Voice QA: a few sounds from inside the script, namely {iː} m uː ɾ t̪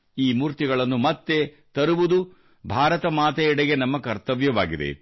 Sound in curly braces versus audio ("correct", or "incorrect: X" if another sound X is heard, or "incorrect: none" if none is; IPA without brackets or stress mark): correct